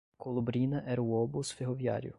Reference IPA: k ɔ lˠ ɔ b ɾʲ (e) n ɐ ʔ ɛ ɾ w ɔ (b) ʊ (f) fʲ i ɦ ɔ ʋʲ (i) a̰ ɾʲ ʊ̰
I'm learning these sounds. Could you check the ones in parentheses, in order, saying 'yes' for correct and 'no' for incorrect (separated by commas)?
no, yes, no, no